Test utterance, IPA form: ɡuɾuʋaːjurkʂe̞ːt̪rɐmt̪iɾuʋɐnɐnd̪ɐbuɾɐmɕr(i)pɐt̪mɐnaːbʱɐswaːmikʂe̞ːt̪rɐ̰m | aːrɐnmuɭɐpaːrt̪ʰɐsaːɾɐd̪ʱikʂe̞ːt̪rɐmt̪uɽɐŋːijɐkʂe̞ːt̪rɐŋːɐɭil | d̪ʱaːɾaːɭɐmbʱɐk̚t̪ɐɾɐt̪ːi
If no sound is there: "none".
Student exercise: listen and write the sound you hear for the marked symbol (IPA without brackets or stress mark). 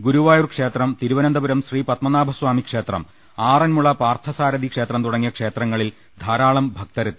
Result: iː